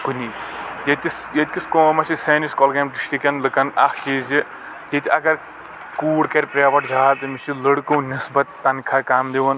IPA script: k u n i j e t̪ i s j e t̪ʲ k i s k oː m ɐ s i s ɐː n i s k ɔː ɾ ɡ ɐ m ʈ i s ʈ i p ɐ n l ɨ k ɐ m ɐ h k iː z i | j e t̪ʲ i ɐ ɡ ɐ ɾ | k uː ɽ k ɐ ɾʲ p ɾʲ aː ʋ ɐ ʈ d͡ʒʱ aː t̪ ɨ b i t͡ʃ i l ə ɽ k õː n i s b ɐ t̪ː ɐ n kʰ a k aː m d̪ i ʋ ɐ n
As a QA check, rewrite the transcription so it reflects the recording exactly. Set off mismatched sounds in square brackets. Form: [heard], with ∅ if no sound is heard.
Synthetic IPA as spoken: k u n i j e t̪ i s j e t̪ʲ k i s k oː m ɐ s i s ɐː n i s k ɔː [l] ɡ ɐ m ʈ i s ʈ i [k] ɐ n l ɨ k ɐ [n] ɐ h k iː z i | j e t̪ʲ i ɐ ɡ ɐ ɾ | k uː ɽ k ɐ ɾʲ p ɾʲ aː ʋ ɐ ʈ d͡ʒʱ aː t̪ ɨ [m] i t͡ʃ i l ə ɽ k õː n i s b ɐ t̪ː ɐ n kʰ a k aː m d̪ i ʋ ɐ n